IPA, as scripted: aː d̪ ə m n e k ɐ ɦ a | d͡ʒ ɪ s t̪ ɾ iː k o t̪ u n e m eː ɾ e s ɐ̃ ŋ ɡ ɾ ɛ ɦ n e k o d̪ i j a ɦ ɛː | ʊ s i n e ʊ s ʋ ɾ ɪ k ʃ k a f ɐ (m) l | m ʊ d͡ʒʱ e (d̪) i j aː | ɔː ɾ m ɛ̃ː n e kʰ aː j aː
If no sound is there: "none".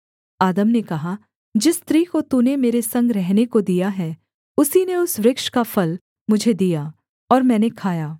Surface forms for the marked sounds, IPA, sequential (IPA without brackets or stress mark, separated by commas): none, d̪